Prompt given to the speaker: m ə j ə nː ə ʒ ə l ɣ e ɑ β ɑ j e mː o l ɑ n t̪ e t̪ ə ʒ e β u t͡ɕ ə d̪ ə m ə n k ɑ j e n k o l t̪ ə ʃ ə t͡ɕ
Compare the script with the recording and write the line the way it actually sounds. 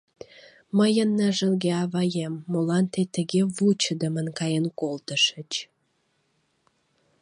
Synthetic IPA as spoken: m ə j ə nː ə ʒ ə l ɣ e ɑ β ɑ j e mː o l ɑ n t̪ e t̪ ə ɣ e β u t͡ɕ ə d̪ ə m ə n k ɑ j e n k o l t̪ ə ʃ ə t͡ɕ

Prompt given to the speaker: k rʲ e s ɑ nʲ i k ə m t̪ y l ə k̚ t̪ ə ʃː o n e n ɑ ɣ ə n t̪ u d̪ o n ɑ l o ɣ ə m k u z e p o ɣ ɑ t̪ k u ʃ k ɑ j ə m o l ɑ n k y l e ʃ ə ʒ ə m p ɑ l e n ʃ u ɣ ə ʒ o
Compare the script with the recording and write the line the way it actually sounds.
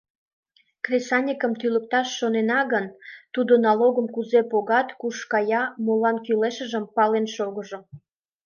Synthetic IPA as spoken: k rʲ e s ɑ nʲ i k ə m t̪ y l ə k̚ t̪ ɑ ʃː o n e n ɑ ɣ ə n t̪ u d̪ o n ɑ l o ɣ ə m k u z e p o ɣ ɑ t̪ k u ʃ k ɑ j ɑ m o l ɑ n k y l e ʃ ə ʒ ə m p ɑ l e n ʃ o ɣ ə ʒ o

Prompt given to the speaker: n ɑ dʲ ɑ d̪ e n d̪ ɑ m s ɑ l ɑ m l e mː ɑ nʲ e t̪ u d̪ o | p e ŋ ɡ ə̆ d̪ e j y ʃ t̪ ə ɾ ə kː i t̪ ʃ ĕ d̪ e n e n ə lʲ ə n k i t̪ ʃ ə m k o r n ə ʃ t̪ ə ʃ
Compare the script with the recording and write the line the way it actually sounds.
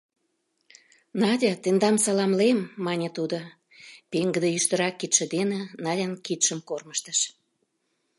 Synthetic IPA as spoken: n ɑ dʲ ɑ t̪ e n d̪ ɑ m s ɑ l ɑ m l e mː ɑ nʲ e t̪ u d̪ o | p e ŋ ɡ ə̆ d̪ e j y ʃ t̪ ə ɾ ɑ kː i t̪ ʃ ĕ d̪ e n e n ɑ lʲ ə n k i t̪ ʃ ə m k o r m ə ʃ t̪ ə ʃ

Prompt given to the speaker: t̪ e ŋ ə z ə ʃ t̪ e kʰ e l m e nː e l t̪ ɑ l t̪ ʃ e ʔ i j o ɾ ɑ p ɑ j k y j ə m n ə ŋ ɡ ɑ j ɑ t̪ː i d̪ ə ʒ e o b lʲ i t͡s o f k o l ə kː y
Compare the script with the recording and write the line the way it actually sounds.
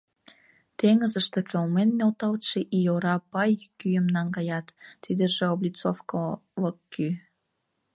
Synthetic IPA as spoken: t̪ e ŋ ə z ə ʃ t̪ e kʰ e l m e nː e l t̪ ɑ l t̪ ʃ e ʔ i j o ɾ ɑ p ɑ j k y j ə m n ɑ ŋ ɡ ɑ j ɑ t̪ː i d̪ ə ʒ e o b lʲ i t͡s o f k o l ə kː y

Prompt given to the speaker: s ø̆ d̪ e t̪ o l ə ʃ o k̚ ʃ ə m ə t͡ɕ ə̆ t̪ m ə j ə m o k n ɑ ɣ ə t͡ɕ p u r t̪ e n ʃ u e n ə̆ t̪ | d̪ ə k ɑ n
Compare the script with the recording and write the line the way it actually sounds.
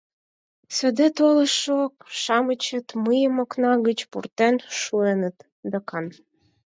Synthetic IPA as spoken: s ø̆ d̪ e t̪ o l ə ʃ o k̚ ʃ ɑ m ə t͡ɕ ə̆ t̪ m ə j ə m o k n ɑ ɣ ə t͡ɕ p u r t̪ e n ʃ u e n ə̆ t̪ | d̪ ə k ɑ n

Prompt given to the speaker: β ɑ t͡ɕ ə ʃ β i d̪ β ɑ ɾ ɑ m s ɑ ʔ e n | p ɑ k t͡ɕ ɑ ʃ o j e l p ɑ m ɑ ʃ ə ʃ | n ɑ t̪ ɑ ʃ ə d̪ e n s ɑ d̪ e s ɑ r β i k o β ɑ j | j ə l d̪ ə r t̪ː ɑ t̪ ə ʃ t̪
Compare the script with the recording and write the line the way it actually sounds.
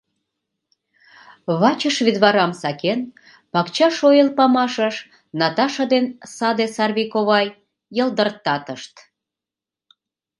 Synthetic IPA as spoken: β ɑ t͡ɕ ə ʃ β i d̪ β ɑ ɾ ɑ m s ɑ k e n | p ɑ k t͡ɕ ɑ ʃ o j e l p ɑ m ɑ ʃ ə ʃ | n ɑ t̪ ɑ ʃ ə d̪ e n s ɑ d̪ e s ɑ r β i k o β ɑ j | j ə l d̪ ə r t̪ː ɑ t̪ ə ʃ t̪

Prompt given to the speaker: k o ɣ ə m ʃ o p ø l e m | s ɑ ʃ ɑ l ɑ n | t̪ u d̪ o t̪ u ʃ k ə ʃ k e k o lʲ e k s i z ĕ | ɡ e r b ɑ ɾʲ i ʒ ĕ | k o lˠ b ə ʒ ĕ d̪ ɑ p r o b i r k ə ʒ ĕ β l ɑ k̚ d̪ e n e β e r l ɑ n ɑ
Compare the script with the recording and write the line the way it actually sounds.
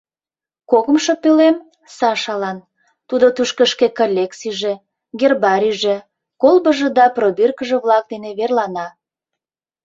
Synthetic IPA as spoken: k o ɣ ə m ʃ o p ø l e m | s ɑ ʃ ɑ l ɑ n | t̪ u d̪ o t̪ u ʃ k ə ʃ k e k o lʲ e k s i ʒ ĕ | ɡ e r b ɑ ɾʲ i ʒ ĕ | k o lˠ b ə ʒ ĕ d̪ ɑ p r o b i r k ə ʒ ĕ β l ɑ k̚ d̪ e n e β e r l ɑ n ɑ

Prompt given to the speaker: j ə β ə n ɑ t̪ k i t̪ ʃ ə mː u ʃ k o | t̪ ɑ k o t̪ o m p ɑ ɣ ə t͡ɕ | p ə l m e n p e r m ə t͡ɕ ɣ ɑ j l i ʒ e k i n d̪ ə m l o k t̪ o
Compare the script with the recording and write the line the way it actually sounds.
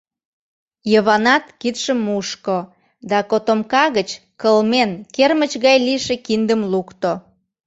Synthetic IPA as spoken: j ə β ɑ n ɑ t̪ k i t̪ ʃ ə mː u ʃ k o | d̪ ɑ k o t̪ o m k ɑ ɣ ə t͡ɕ | k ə l m e n k e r m ə t͡ɕ ɣ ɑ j l i ʃ e k i n d̪ ə m l u k t̪ o

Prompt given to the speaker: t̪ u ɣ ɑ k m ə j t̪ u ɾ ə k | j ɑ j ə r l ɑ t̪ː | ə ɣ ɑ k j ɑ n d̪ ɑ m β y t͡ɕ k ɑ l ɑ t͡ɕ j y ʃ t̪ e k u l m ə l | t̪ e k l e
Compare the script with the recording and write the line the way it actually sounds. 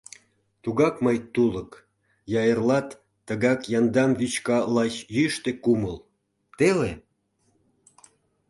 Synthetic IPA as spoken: t̪ u ɣ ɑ k m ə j t̪ u l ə k | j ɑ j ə r l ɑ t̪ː | ə ɣ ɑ k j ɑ n d̪ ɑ m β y t͡ɕ k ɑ l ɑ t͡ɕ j y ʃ t̪ e k u m ə l | t̪ e l e

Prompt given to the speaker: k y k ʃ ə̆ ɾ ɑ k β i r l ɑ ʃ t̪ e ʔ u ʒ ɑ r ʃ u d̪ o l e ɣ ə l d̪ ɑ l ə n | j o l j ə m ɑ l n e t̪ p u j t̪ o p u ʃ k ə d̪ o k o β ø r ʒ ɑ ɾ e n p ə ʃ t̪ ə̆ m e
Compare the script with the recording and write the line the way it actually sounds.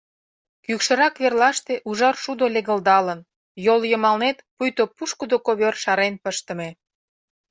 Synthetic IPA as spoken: k y k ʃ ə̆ ɾ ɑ k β e r l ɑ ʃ t̪ e ʔ u ʒ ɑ r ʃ u d̪ o l e ɣ ə l d̪ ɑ l ə n | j o l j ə m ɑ l n e t̪ p u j t̪ o p u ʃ k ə d̪ o k o β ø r ʃ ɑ ɾ e n p ə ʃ t̪ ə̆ m e

